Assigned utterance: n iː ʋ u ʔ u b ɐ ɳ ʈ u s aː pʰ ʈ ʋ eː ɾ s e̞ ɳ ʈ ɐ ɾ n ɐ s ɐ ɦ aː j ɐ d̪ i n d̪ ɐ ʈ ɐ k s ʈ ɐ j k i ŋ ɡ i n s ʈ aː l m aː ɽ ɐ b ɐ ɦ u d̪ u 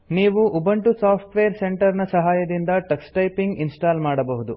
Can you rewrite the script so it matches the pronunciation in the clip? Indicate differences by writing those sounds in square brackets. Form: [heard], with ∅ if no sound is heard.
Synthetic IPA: n iː ʋ u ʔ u b ɐ ɳ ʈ u s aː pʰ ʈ ʋ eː ɾ s e̞ ɳ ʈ ɐ ɾ n ɐ s ɐ ɦ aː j ɐ d̪ i n d̪ ɐ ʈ ɐ k s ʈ ɐ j [p] i ŋ ɡ i n s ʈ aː l m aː ɽ ɐ b ɐ ɦ u d̪ u